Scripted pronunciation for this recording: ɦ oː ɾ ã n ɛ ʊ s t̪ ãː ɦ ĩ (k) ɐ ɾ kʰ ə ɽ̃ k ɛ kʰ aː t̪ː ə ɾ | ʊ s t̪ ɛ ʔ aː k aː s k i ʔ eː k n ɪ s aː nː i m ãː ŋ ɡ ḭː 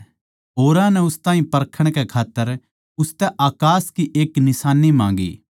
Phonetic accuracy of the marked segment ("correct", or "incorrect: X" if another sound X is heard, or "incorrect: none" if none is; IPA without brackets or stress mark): incorrect: p